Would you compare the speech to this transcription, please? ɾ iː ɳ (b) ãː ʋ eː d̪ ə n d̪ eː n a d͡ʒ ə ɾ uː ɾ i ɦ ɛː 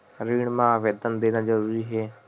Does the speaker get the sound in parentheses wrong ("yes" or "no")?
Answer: yes